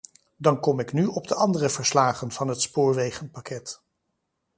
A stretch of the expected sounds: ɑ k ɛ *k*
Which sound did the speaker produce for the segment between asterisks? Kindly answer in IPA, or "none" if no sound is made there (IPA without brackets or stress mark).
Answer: t